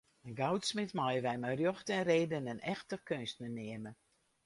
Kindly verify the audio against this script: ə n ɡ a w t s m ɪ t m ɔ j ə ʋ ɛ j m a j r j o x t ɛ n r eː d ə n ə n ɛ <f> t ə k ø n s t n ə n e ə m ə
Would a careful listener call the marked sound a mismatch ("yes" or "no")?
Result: yes